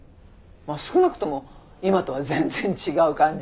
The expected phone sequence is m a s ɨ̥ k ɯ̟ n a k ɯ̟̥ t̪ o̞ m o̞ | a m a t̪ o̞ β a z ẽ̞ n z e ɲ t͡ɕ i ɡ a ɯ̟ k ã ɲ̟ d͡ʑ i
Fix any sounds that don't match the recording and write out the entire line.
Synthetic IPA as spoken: m a s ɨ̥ k ɯ̟ n a k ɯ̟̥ t̪ o̞ m o̞ | i m a t̪ o̞ β a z ẽ̞ n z ẽ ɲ t͡ɕ i ɡ a ɯ̟ k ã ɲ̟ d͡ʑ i